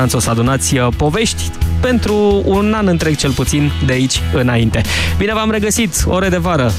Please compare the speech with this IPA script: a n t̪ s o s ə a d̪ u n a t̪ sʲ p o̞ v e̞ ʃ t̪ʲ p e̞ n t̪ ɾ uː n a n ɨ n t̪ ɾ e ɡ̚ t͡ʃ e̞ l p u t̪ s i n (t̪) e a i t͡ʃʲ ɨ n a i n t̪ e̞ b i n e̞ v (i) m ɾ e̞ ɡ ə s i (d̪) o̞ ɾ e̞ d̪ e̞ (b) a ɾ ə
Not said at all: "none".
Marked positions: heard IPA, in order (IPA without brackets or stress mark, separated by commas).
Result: d̪, a, t̪, v